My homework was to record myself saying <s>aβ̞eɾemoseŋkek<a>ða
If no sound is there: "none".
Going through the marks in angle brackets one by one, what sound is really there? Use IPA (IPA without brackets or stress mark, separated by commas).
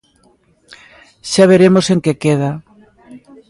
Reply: ʃ, e